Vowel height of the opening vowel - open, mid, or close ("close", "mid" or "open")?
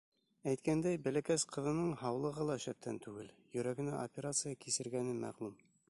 open